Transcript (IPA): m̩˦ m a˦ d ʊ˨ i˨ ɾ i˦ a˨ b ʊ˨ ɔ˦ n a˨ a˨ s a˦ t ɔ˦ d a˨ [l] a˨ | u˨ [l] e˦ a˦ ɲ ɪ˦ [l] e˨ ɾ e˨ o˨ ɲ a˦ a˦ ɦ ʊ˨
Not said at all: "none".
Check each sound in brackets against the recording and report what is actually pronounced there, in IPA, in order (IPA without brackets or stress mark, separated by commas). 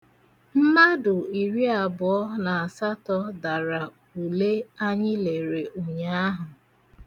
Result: ɾ, l, l